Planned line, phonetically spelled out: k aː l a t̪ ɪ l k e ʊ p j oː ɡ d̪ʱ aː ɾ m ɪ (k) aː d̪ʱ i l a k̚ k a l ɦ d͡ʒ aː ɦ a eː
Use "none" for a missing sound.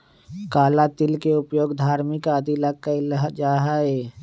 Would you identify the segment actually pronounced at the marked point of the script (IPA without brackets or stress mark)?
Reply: k